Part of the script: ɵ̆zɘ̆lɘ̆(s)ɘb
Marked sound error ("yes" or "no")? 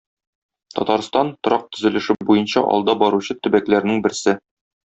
yes